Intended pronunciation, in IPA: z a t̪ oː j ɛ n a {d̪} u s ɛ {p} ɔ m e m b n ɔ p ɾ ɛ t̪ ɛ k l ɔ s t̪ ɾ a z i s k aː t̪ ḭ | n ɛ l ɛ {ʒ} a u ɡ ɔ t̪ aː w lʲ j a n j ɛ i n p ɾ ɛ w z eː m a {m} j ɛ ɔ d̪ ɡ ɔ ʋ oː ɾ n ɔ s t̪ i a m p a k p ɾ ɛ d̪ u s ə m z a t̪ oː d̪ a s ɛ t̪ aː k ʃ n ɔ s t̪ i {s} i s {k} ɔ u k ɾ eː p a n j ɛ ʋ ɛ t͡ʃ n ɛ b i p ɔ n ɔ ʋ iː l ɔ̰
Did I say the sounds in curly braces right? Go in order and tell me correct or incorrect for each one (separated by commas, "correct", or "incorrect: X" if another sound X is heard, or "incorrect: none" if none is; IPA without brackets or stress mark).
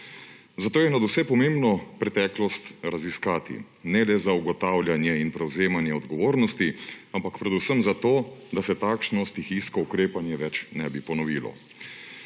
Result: correct, correct, incorrect: z, incorrect: n, incorrect: x, correct